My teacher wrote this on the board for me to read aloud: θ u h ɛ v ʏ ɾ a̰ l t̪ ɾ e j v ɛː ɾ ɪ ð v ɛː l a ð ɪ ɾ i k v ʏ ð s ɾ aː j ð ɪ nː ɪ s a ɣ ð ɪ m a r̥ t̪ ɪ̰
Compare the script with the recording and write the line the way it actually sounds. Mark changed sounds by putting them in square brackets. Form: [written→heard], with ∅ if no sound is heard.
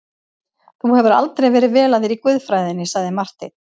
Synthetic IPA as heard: θ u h ɛ v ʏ ɾ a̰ l t̪ ɾ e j v ɛː ɾ ɪ ð v ɛː l a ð ɪ ɾ i k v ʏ ð [s→f] ɾ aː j ð ɪ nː ɪ s a ɣ ð ɪ m a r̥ t̪ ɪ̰

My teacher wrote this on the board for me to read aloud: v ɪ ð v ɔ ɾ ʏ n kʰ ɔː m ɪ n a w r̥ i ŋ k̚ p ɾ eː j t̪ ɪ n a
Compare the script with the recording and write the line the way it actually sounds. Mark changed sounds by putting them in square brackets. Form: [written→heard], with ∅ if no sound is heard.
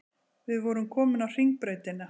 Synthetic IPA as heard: v ɪ ð v ɔ ɾ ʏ [n→m] kʰ ɔː m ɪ n a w r̥ i ŋ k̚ p ɾ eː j t̪ ɪ n a

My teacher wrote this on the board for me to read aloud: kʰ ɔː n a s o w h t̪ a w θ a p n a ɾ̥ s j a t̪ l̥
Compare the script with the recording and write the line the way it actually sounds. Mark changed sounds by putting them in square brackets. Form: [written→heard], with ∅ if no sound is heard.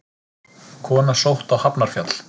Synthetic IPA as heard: kʰ ɔː n a s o w h t̪ a w [θ→h] a p n a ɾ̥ [s→f] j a t̪ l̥

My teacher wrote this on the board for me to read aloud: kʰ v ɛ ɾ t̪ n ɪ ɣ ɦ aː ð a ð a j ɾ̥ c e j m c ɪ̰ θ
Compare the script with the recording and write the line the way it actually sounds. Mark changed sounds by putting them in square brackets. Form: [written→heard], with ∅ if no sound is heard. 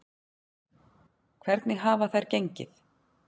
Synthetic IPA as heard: kʰ v ɛ ɾ t̪ n ɪ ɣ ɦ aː [ð→v] a [ð→θ] a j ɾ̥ c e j [m→ɲ] c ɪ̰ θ

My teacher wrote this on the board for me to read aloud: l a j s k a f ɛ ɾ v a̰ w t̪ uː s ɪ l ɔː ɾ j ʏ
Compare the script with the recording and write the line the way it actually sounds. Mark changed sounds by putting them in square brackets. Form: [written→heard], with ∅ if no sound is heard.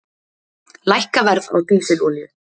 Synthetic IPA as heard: l a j [s→h] k a [f→v] ɛ ɾ [v→ð] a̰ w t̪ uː s ɪ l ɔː [ɾ→l] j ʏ

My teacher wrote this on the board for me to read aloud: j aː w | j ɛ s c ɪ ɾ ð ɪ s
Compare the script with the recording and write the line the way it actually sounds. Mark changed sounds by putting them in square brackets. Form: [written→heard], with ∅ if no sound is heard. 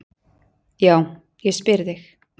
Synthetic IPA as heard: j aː w | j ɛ s [c→p] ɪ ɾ ð ɪ [s→x]

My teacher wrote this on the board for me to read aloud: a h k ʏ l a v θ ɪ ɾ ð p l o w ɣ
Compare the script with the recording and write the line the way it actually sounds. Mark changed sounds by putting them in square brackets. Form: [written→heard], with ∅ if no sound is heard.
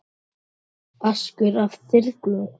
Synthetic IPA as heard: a [h→s] k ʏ [l→ɾ] a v θ ɪ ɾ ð [p→k] l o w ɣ

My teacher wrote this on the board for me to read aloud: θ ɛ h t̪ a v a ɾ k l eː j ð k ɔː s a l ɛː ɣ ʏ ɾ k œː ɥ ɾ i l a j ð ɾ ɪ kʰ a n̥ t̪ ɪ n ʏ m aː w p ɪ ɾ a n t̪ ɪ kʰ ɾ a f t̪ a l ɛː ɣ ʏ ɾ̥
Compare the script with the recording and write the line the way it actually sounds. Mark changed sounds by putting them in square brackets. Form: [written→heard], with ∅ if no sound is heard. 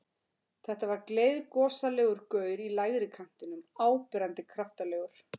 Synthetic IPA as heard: θ ɛ h t̪ a v a ɾ k l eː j ð k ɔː s a l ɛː ɣ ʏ ɾ k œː ɥ ɾ i l a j [ð→ɣ] ɾ ɪ kʰ a n̥ t̪ ɪ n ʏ m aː w p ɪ ɾ a n t̪ ɪ kʰ ɾ a f t̪ a l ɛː ɣ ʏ ɾ̥

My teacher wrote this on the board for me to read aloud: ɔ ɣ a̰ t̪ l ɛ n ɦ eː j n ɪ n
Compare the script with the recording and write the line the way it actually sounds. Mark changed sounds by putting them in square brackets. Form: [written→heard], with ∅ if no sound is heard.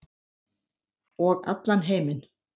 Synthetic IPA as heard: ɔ ɣ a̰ t̪ l [ɛ→a] n ɦ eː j [n→m] ɪ n

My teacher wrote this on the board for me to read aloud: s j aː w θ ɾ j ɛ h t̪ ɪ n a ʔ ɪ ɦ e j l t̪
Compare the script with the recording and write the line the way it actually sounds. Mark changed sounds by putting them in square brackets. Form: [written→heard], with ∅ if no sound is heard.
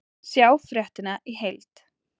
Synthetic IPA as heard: s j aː w [θ→f] ɾ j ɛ h t̪ ɪ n a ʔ [ɪ→i] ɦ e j l t̪

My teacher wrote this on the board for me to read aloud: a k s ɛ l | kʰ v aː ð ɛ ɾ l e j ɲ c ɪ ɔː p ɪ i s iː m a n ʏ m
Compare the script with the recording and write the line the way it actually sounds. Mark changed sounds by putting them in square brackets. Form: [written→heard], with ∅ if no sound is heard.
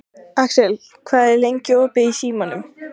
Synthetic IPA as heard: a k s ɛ l | kʰ v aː ð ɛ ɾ l e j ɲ c ɪ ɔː p ɪ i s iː m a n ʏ m

